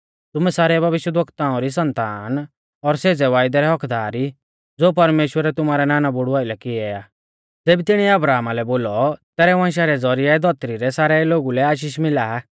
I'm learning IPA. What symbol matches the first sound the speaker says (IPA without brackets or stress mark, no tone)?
t̪